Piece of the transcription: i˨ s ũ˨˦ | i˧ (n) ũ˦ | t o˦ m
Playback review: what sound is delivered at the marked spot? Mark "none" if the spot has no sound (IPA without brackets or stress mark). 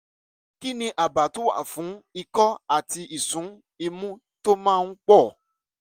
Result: m